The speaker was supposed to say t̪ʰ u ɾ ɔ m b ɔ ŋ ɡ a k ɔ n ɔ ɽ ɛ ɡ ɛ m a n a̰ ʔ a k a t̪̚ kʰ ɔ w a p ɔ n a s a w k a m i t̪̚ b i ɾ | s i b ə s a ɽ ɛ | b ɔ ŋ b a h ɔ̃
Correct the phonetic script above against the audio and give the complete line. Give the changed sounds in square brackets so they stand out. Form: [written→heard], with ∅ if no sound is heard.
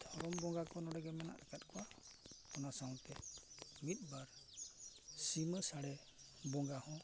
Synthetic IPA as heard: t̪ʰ [u→ɔ] ɾ ɔ m b ɔ ŋ ɡ a k ɔ n ɔ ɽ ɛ ɡ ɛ m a n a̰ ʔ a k a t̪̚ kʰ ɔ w a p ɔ n a s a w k [a→ɛ] m i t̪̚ b [i→a] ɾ | s i [b→m] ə s a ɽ ɛ | b ɔ ŋ [b→ɡ] a h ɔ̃